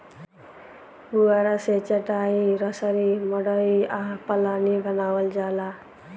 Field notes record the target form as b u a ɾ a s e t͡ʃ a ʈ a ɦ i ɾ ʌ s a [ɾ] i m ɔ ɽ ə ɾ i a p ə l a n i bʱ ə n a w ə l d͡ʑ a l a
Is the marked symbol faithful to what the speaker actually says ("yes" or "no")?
yes